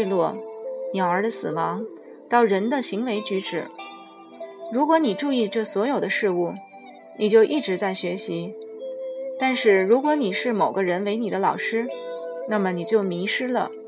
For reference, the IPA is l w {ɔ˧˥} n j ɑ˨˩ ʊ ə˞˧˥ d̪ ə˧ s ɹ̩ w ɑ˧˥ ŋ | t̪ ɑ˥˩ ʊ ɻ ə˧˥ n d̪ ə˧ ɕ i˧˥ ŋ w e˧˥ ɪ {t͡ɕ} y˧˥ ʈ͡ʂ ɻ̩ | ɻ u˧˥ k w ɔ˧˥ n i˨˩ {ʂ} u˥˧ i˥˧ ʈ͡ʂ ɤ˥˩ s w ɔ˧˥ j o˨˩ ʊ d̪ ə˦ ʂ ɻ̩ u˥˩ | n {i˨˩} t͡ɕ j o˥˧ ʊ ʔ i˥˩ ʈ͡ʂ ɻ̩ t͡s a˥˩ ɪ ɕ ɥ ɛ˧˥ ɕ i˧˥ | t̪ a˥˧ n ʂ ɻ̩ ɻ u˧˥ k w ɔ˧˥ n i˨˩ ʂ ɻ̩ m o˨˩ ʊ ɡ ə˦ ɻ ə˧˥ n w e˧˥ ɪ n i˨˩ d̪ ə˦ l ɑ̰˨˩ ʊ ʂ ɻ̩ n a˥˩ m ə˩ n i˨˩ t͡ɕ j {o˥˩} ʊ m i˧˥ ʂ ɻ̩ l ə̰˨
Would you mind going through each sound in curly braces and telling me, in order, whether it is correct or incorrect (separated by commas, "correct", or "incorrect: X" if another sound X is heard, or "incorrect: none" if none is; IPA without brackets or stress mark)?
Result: incorrect: ɔ˥˩, correct, incorrect: ʈ͡ʂ, correct, correct